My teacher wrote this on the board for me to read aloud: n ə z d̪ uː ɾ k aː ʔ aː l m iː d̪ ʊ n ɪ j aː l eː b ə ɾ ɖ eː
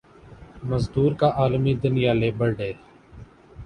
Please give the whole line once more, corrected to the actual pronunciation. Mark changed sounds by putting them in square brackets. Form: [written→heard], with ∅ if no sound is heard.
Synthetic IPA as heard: [n→m] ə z d̪ uː ɾ k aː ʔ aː l m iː d̪ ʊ n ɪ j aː l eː b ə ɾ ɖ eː